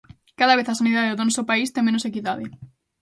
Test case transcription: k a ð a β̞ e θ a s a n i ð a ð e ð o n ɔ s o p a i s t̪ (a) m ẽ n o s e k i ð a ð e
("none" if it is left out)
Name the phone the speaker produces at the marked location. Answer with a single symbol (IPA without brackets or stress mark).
e